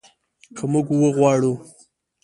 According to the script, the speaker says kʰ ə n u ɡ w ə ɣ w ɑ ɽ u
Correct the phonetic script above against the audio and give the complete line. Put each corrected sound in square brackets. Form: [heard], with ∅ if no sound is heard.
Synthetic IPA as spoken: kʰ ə [m] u ɡ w ə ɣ w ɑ ɽ u